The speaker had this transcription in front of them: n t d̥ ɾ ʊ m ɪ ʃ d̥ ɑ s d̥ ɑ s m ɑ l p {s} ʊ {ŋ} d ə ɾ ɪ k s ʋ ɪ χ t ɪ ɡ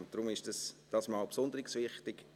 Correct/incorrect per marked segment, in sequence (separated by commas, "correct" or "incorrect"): correct, incorrect